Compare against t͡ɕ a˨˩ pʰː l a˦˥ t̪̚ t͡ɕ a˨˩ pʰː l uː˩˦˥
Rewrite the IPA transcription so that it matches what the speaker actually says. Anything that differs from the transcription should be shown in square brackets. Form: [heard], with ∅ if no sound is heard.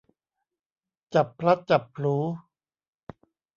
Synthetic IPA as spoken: t͡ɕ a˨˩ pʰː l a˦˥ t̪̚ t͡ɕ a˨˩ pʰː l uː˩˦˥